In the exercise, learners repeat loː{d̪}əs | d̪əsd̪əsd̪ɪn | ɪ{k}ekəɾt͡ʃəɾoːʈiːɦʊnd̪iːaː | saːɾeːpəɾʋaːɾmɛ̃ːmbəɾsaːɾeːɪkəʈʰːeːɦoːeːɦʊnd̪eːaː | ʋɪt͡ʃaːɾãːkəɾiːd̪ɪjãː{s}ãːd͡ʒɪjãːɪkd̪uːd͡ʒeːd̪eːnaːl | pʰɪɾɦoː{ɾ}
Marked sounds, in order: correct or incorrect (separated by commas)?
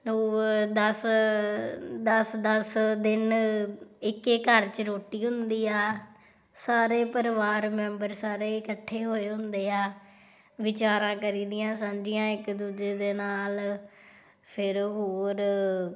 correct, correct, correct, correct